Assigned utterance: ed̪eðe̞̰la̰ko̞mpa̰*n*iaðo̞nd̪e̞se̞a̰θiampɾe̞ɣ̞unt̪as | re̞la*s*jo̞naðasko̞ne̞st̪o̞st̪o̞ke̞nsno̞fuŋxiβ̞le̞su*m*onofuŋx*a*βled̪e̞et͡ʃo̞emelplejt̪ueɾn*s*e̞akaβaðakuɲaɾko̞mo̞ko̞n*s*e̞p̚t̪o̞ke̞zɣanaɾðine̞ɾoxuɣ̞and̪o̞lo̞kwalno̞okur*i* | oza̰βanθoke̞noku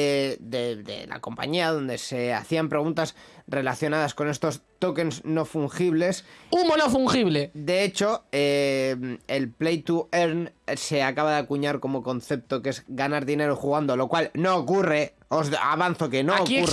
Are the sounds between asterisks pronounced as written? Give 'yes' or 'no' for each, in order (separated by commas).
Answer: no, no, yes, no, yes, no, no